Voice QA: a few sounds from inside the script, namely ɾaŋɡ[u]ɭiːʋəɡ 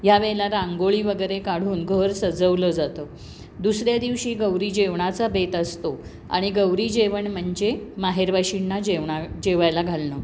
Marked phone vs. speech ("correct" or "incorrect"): incorrect